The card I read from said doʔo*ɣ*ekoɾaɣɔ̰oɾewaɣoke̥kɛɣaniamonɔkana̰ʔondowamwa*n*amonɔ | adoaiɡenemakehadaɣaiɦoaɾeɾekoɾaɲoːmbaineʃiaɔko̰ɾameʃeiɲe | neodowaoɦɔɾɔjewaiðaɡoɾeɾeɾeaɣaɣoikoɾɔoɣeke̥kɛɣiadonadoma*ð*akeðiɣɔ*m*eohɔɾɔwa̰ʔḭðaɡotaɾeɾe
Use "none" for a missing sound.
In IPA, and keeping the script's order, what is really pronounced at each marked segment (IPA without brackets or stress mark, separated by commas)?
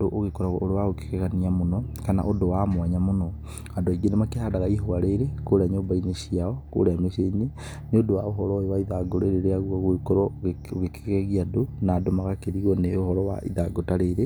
ɣ, ɲ, ɣ, n